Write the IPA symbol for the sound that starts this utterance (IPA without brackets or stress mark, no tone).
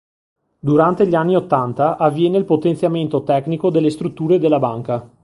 d̪